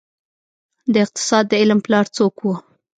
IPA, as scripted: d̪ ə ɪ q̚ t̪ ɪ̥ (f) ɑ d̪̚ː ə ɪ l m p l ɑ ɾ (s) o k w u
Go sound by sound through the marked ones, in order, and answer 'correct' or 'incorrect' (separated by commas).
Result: incorrect, incorrect